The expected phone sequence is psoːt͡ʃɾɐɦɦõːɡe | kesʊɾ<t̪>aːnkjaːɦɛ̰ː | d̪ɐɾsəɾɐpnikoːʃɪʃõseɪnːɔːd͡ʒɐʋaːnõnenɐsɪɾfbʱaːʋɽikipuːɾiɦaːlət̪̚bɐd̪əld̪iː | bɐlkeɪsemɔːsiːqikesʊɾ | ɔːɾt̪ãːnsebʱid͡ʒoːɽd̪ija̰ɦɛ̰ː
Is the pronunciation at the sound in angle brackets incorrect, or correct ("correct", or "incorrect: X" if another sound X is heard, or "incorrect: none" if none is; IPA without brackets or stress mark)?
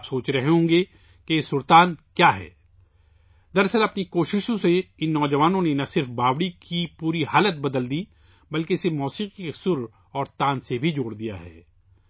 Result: correct